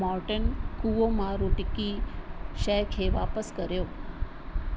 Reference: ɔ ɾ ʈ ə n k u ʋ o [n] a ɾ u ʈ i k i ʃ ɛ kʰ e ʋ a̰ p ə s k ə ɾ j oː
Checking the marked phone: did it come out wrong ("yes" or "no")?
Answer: yes